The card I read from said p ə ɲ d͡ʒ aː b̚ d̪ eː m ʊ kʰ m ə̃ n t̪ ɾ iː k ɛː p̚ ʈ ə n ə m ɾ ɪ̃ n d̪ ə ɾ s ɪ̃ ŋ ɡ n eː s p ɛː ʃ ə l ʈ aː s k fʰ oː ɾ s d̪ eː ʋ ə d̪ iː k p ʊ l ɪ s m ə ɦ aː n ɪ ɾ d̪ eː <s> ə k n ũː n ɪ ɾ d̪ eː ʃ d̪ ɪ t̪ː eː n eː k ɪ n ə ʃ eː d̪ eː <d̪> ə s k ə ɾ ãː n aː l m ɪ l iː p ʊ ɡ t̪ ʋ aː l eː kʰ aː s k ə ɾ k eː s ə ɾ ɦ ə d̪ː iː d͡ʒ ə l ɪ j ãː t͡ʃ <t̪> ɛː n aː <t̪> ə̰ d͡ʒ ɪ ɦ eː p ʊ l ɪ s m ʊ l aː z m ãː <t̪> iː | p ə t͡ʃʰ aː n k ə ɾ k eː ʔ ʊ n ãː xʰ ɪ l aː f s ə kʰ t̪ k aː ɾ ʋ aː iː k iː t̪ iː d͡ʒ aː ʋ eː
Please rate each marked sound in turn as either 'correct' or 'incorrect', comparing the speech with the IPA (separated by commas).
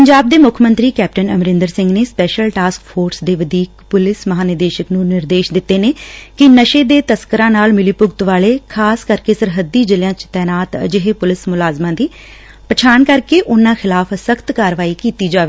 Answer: incorrect, incorrect, correct, correct, incorrect